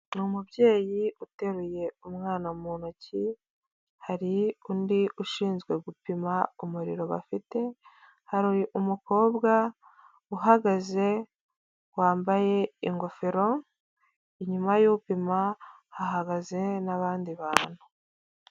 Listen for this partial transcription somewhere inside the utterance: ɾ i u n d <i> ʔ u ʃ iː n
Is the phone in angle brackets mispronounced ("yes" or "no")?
no